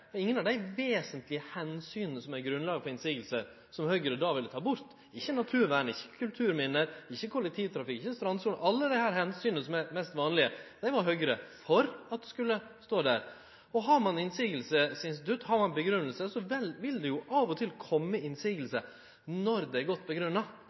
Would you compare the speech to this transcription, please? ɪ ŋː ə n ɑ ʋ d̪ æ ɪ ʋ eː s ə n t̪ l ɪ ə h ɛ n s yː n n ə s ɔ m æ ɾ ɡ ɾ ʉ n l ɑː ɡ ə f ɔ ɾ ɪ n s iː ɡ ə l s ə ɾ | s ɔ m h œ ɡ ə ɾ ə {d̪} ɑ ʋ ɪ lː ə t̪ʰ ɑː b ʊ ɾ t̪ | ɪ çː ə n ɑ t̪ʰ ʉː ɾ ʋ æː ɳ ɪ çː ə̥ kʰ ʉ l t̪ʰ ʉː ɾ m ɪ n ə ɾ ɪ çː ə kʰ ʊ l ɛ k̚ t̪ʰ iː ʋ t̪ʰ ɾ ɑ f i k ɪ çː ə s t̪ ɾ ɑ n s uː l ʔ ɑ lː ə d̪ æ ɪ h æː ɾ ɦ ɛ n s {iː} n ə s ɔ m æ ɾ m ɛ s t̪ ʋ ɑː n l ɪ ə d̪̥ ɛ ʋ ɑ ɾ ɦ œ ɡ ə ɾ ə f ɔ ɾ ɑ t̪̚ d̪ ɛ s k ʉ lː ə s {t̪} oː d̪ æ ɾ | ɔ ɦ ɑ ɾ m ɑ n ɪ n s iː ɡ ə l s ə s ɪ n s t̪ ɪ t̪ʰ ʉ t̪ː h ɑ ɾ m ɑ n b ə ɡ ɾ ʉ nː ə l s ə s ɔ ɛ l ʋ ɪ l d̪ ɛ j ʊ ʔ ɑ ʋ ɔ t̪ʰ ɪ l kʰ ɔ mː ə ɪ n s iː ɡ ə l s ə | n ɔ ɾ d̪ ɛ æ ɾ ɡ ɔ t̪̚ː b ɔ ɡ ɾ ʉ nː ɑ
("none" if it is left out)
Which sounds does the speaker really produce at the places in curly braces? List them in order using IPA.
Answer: d̪, yː, t̪

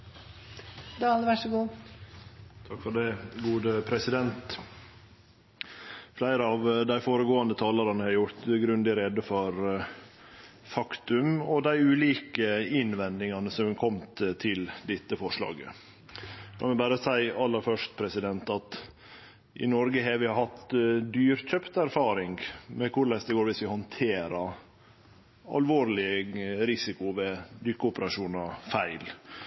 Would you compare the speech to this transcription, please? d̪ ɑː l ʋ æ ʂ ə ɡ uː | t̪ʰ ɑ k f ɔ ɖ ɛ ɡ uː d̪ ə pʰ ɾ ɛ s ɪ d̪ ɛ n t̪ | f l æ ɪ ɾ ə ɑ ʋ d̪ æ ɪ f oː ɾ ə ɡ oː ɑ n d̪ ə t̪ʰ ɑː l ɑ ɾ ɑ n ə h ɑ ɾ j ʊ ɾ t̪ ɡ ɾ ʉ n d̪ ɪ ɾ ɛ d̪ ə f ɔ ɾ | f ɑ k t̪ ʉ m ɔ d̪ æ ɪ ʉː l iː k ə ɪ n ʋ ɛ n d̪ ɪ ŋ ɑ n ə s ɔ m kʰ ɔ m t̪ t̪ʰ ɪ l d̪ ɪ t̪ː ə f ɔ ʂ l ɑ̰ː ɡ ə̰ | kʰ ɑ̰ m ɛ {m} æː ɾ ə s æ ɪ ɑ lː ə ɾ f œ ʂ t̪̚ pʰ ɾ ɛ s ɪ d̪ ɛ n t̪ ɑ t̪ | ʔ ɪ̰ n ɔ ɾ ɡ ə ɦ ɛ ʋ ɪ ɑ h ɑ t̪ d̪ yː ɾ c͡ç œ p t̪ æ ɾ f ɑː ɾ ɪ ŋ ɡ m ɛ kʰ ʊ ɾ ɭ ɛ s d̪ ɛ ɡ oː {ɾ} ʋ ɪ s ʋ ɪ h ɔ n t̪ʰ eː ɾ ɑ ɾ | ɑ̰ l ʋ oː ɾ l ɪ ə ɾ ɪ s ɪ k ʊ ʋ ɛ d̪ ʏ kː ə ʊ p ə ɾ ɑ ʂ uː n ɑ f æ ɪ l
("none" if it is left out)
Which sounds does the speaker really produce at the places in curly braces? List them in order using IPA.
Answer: b, ɾ

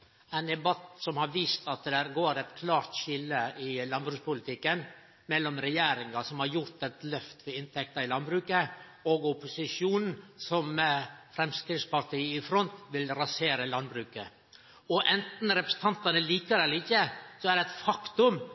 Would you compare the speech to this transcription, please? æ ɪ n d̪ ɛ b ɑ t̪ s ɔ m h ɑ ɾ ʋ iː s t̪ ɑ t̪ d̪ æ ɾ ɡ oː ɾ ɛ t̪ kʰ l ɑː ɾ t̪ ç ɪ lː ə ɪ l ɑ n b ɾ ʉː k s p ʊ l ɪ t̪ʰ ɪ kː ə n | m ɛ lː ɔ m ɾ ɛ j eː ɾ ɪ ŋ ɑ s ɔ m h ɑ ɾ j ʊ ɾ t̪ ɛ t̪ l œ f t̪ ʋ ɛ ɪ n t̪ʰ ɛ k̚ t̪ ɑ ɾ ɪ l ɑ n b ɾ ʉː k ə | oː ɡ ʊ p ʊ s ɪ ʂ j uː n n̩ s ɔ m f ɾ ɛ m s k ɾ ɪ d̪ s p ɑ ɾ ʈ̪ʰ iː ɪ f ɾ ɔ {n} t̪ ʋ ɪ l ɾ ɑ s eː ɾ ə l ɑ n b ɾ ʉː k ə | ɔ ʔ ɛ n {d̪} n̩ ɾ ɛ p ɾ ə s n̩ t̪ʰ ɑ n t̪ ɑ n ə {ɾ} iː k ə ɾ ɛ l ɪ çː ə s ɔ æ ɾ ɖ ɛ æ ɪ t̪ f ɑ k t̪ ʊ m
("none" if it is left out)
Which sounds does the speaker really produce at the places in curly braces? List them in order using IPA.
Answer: n, t̪, l

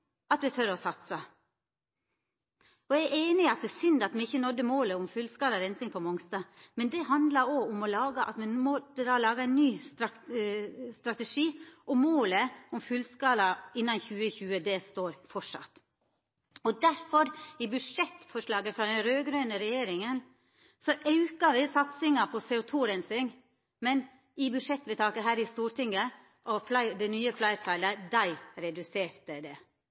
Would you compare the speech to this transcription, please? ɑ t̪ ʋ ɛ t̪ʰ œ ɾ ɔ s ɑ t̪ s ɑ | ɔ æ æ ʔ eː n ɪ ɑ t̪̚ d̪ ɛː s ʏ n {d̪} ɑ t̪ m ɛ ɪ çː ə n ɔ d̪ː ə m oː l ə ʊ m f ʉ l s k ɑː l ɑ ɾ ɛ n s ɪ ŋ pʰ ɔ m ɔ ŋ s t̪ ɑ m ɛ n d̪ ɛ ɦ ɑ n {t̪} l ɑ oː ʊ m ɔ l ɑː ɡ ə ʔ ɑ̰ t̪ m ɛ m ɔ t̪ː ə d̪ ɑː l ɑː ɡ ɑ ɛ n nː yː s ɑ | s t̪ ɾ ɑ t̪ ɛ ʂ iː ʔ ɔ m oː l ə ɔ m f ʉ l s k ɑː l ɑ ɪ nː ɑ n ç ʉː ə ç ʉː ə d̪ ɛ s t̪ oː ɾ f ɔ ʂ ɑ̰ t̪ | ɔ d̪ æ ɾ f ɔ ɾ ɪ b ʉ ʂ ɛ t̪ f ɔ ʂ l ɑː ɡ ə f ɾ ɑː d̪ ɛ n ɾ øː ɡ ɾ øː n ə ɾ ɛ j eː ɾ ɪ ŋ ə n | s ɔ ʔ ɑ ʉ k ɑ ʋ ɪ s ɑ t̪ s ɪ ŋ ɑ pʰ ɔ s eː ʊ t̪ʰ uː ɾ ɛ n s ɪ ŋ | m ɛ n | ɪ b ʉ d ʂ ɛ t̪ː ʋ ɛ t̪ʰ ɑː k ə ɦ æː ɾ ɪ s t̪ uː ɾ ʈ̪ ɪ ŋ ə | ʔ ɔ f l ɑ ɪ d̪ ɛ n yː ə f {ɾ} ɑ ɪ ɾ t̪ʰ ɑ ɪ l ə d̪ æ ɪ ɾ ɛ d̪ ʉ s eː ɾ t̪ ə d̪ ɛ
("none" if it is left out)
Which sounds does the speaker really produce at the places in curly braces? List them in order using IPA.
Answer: d̪, d̪, l

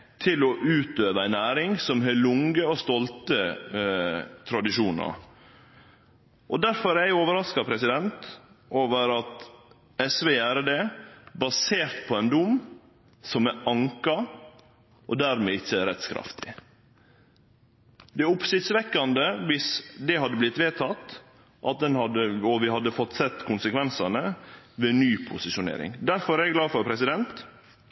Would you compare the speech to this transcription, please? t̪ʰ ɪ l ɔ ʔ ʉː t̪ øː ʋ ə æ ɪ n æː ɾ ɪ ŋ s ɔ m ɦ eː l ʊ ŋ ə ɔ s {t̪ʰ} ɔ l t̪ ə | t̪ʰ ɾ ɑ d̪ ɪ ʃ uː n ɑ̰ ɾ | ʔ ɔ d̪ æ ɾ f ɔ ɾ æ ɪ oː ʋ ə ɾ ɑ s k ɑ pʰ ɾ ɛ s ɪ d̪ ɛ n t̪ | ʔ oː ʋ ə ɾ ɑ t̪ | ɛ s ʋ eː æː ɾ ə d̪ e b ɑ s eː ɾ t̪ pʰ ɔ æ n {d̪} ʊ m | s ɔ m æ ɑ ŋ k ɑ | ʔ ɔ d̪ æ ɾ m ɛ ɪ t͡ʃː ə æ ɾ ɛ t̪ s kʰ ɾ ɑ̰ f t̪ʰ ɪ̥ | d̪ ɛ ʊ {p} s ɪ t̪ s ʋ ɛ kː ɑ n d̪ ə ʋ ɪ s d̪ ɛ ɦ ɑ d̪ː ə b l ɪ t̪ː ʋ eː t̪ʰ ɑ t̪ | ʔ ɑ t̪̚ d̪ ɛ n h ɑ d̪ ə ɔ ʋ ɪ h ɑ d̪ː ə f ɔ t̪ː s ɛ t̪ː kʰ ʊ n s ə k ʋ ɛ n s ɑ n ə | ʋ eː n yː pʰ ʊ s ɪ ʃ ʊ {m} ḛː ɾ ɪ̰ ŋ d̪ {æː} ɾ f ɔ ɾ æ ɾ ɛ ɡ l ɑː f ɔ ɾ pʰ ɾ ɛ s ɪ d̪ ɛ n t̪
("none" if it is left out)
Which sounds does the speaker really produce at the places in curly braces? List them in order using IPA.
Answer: t̪, d̪, p, n, æ

